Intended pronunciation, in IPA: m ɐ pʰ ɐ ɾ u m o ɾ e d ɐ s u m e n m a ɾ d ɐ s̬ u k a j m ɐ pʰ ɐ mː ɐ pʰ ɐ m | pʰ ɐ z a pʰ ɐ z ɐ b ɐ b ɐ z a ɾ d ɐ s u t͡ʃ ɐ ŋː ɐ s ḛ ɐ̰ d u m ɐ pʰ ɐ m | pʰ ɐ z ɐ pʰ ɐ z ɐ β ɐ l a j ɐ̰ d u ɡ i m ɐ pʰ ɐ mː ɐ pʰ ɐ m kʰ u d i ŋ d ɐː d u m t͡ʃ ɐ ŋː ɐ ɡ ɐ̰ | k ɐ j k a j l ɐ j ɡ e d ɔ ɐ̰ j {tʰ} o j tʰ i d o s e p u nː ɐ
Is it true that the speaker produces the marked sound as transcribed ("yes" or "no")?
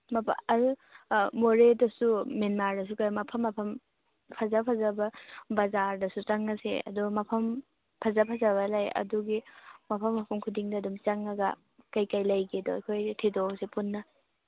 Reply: no